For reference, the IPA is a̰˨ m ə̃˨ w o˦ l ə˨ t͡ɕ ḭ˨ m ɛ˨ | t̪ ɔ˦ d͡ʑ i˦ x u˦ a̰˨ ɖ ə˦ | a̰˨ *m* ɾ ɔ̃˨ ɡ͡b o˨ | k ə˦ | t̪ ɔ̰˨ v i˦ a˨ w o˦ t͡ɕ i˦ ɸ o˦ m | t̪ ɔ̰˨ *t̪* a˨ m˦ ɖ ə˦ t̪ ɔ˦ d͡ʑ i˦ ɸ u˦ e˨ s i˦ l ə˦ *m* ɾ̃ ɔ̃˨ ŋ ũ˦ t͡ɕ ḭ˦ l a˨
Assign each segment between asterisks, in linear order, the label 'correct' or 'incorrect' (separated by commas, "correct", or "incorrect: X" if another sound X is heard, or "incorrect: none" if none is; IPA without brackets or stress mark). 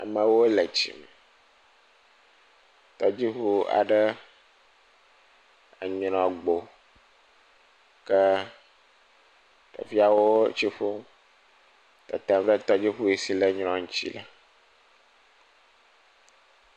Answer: incorrect: ɲ, correct, incorrect: ɲ